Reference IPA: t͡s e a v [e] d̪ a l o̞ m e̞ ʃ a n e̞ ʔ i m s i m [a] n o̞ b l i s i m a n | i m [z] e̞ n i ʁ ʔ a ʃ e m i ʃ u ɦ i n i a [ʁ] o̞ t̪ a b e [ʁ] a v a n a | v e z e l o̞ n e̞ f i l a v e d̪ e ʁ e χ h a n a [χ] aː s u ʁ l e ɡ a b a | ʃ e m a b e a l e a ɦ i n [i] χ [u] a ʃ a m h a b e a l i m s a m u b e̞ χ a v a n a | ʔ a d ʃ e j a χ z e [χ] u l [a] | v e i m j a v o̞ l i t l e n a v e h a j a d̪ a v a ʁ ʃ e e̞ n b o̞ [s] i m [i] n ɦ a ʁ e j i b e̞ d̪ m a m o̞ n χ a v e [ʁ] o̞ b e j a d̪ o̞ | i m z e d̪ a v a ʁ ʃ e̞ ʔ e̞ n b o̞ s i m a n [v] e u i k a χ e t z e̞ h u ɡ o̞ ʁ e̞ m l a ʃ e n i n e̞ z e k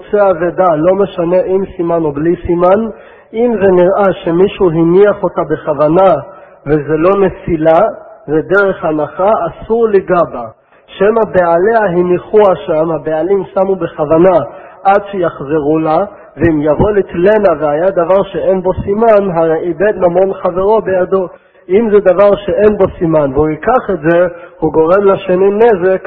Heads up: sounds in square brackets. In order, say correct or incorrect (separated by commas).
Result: correct, correct, correct, incorrect, incorrect, correct, correct, correct, incorrect, correct, correct, incorrect, correct, correct